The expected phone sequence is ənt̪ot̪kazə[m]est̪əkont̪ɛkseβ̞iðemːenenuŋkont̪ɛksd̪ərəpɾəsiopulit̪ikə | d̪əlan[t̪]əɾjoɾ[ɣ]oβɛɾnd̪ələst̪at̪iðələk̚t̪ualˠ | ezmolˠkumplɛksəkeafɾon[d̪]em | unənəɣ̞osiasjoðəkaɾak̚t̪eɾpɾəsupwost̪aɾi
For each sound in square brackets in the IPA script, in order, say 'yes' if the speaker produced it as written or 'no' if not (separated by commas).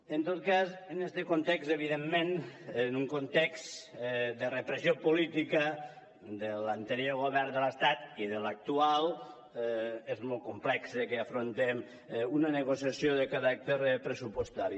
no, yes, yes, no